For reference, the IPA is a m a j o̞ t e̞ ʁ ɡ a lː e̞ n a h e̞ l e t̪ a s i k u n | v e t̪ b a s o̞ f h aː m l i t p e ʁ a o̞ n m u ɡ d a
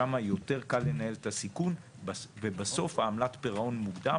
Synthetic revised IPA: a m a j o̞ t e̞ ʁ k a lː e̞ n a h e̞ l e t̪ a s i k u n | v e b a s o̞ f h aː m l a t p e ʁ a o̞ n m u ɡ d a